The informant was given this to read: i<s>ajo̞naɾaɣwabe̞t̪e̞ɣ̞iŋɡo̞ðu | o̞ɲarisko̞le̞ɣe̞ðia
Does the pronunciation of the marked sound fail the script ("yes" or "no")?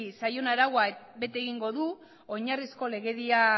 no